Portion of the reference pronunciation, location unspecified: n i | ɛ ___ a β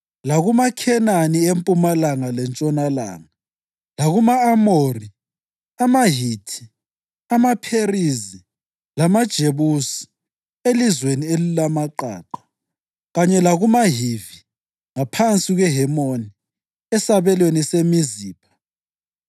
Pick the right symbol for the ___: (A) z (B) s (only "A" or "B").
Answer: B